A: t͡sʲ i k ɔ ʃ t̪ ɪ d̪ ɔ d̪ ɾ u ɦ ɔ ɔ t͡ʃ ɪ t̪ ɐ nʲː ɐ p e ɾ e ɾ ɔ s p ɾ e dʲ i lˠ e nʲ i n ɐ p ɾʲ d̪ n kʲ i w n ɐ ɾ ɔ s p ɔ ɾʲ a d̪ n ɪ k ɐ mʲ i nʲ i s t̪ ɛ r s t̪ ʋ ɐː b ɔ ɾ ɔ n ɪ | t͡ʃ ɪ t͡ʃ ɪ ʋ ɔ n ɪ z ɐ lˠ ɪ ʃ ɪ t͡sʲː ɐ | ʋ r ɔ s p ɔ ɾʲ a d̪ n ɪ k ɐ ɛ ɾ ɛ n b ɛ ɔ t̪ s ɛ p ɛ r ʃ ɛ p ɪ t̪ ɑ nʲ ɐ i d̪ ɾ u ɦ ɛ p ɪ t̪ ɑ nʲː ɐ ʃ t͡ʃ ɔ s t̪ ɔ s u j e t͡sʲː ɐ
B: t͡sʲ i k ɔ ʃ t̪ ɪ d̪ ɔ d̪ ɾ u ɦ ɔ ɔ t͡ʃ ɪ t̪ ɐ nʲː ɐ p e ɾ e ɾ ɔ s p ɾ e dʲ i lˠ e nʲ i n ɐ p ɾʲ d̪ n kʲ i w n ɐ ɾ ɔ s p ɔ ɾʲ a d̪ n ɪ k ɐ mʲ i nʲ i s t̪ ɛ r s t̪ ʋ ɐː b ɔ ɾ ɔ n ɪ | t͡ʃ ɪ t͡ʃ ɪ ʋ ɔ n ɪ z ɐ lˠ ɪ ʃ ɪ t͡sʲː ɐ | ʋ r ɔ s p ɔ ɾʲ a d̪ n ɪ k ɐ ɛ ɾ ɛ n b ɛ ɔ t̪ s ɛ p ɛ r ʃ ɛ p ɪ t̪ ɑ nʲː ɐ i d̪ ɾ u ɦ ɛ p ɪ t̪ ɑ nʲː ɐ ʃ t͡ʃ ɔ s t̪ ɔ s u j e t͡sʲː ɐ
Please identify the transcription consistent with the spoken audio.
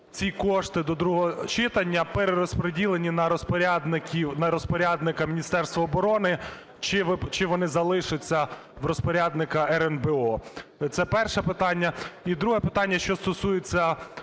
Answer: B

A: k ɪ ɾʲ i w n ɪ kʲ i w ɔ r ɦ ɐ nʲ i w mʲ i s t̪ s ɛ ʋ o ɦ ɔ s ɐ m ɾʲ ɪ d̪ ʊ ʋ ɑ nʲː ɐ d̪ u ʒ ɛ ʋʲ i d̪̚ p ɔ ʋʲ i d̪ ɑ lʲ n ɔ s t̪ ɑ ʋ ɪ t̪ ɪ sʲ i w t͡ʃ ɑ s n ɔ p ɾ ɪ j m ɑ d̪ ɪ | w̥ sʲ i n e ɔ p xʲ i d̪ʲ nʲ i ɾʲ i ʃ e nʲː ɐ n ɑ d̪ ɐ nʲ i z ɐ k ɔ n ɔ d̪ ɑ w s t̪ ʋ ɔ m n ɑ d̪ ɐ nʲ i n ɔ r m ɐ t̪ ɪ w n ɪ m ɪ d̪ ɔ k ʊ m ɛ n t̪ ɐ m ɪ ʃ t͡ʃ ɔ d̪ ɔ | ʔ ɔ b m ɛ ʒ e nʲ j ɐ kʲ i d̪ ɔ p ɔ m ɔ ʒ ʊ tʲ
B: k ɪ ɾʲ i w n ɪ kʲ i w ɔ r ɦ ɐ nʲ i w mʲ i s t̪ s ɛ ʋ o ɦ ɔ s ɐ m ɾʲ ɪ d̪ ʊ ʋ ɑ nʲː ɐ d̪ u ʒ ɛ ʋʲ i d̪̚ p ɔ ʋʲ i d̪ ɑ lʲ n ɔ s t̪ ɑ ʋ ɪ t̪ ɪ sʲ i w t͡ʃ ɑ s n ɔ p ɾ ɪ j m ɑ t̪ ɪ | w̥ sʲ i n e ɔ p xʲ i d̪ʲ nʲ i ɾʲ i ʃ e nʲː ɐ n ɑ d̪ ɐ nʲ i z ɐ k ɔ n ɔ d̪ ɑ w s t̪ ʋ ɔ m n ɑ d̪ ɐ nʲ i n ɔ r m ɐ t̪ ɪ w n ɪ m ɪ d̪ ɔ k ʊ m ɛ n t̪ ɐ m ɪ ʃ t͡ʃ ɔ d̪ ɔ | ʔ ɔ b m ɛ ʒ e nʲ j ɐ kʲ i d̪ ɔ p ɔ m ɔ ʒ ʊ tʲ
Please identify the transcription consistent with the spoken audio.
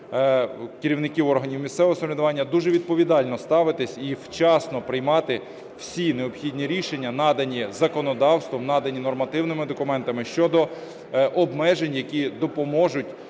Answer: B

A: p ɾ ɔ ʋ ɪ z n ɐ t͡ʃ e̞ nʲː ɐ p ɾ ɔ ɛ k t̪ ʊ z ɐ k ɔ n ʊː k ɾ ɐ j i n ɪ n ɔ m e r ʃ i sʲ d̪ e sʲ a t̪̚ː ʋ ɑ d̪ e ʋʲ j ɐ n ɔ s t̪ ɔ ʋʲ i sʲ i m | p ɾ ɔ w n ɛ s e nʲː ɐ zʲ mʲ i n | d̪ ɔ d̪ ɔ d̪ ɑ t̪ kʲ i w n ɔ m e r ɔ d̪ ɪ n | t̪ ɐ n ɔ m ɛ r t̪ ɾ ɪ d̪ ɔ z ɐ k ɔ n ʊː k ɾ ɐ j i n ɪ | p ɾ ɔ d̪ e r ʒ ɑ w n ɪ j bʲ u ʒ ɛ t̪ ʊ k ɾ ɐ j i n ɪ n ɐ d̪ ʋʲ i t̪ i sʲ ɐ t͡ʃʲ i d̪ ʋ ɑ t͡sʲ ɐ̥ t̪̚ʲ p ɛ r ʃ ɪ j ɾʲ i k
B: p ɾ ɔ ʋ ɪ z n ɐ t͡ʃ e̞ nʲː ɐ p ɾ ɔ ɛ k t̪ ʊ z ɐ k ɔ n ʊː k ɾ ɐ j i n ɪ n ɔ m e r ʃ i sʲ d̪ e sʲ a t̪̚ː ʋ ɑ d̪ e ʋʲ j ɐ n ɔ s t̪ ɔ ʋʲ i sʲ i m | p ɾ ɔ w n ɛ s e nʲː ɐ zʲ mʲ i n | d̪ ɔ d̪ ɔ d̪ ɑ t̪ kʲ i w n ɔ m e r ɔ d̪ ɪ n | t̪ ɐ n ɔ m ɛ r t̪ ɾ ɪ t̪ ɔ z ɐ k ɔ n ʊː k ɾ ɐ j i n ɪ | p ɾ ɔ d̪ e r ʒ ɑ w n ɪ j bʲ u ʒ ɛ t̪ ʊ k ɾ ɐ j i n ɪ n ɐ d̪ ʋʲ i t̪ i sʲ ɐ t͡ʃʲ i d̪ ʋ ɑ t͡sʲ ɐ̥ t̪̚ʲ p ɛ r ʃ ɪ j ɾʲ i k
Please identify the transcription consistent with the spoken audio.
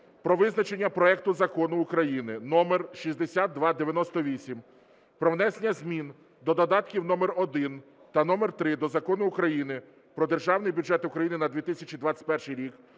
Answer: A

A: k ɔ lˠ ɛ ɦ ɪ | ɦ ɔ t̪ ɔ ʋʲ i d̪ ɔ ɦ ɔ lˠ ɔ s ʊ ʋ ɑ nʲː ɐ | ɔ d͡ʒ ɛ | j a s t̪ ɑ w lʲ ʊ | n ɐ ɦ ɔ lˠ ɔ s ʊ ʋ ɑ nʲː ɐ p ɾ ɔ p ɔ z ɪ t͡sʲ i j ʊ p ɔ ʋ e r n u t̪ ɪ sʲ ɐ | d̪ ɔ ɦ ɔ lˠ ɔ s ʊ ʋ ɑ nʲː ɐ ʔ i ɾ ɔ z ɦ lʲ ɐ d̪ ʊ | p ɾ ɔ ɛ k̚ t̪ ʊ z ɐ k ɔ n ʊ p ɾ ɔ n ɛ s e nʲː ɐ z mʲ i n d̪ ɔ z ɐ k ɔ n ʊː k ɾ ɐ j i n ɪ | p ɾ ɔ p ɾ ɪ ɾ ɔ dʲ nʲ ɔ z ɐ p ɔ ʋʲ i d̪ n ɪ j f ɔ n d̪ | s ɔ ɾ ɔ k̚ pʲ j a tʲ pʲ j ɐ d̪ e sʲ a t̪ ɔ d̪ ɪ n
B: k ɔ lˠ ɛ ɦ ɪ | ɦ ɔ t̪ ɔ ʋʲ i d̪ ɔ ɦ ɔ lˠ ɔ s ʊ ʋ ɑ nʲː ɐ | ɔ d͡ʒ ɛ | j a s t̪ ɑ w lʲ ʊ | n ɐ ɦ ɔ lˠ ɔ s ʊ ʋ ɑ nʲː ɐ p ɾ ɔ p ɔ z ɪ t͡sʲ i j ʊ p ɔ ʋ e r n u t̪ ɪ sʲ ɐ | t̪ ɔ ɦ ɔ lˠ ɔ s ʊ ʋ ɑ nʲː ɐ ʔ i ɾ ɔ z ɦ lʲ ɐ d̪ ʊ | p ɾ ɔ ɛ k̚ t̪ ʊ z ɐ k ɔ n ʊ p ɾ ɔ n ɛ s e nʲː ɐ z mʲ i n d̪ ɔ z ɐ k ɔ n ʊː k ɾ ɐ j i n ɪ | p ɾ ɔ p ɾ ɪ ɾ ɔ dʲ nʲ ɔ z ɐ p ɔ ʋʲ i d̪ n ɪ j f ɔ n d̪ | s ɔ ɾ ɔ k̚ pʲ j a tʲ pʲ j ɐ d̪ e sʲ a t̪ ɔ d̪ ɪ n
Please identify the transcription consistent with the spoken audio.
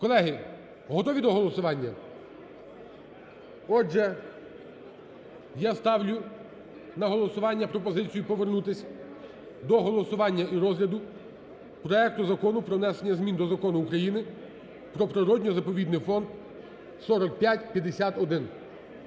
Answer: A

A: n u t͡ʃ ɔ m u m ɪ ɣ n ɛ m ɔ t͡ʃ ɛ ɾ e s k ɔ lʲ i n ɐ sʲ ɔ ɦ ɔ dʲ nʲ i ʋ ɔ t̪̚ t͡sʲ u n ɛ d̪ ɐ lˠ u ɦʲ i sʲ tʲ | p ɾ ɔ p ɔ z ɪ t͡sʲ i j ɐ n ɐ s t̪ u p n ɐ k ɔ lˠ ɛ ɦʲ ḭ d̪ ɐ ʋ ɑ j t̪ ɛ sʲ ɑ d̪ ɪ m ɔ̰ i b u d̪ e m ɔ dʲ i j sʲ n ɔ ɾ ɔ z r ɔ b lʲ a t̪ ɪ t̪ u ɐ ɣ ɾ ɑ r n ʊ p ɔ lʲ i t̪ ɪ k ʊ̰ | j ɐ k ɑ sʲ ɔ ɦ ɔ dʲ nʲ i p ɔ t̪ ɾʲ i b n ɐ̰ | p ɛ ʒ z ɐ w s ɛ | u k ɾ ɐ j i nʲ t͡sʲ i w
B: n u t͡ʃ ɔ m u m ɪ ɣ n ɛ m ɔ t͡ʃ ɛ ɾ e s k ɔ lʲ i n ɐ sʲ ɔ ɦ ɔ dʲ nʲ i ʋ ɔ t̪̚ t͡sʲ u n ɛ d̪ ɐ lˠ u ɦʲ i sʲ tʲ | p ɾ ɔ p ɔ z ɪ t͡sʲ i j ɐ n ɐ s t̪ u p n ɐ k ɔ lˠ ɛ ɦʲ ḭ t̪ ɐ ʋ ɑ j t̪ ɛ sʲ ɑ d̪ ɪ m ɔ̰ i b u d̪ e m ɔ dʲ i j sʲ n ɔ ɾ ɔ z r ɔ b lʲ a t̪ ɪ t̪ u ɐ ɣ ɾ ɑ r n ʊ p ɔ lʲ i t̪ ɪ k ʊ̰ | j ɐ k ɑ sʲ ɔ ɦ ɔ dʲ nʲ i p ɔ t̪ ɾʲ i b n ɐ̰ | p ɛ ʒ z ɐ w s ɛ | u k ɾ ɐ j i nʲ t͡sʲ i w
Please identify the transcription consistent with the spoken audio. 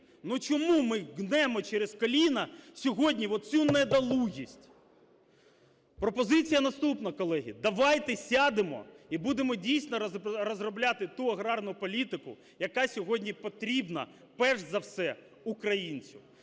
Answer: A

